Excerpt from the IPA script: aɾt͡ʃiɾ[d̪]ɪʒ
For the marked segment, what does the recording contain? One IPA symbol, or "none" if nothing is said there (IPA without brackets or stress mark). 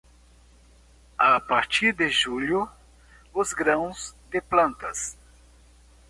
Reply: d̪